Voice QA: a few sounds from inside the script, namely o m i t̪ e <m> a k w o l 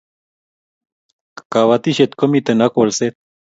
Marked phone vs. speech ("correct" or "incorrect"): incorrect